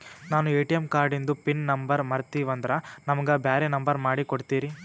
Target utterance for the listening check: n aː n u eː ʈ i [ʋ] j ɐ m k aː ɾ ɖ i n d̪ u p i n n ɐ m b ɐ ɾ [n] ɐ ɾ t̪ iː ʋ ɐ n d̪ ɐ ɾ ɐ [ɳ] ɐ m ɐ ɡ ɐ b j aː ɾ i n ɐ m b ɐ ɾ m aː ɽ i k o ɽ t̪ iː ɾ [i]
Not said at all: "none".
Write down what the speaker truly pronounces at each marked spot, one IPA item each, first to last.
none, m, n, i

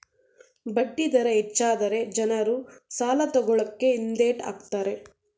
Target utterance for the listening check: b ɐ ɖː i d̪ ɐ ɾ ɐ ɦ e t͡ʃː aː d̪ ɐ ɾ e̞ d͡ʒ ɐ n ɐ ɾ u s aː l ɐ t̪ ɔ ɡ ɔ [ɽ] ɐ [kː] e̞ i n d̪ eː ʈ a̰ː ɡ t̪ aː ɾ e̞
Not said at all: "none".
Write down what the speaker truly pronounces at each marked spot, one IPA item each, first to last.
ɭ, kː

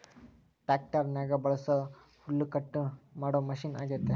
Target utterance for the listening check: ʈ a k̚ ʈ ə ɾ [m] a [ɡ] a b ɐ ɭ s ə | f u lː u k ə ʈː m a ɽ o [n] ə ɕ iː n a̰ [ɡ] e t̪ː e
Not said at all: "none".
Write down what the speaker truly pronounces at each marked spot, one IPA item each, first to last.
n, ɡ, m, ɡ

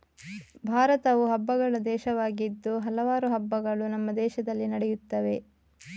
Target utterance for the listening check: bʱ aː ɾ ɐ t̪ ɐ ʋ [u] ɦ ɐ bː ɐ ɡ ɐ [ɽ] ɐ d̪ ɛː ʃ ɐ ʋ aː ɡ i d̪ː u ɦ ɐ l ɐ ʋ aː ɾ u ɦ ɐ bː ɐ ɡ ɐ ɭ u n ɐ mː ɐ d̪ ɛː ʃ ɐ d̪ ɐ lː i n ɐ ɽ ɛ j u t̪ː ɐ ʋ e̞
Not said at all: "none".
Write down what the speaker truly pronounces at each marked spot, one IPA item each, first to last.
u, ɭ

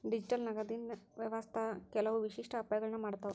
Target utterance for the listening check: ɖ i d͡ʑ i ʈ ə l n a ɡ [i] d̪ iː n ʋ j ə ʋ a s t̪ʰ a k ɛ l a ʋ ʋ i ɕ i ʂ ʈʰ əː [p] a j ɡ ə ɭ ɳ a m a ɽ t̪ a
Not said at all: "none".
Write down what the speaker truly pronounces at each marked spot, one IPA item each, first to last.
a, p

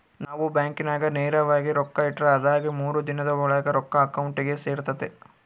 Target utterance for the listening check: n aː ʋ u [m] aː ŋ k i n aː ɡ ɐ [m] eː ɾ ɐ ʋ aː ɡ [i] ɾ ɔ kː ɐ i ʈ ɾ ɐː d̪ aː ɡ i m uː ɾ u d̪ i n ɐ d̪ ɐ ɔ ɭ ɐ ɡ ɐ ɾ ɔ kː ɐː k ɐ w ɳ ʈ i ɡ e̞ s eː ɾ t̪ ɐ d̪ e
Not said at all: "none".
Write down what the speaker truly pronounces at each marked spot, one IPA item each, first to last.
b, n, i

